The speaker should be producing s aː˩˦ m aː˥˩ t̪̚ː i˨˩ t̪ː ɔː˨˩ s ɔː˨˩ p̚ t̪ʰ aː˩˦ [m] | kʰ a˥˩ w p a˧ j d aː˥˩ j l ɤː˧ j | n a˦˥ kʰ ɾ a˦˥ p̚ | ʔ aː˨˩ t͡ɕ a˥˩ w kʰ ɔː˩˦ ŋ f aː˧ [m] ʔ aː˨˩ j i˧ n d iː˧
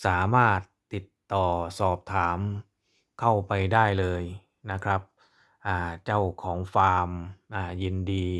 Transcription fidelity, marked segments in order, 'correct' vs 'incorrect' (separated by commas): correct, correct